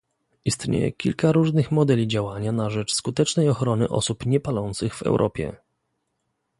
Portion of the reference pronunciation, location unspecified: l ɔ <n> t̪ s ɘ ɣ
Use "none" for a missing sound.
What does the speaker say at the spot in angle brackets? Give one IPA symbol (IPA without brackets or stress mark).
n